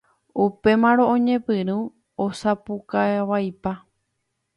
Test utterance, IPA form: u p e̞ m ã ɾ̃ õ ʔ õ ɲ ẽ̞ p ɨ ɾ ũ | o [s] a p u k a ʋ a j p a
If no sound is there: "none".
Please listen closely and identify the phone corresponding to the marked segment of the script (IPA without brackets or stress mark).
s